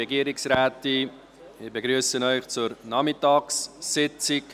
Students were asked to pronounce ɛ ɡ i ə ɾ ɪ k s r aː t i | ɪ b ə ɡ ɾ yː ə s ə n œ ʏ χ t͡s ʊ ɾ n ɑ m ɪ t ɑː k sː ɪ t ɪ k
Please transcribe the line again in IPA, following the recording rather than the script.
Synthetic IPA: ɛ ɡ i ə ɾ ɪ k s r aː t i | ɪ b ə ɡ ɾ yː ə s ə n œ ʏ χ t͡s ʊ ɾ n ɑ m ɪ t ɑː k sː ɪ t͡s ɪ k